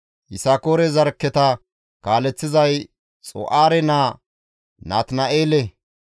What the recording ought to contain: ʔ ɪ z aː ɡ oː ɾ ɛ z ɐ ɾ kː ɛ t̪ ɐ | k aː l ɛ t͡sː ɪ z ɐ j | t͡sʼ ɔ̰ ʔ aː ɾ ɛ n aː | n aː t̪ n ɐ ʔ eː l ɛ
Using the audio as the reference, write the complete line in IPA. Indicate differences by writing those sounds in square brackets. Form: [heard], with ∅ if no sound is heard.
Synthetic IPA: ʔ ɪ [s] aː [k] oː ɾ ɛ z ɐ ɾ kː ɛ t̪ ɐ | k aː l ɛ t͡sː ɪ z ɐ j | t͡sʼ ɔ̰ ʔ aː ɾ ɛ n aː | n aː t̪ n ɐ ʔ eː l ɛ